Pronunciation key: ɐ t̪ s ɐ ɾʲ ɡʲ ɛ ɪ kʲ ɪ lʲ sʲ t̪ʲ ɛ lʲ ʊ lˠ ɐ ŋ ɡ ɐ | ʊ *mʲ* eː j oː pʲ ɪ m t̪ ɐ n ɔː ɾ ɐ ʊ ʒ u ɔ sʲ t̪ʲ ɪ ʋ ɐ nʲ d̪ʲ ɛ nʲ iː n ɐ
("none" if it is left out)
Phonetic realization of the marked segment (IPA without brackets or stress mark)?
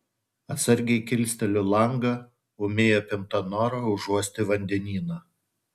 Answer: mʲ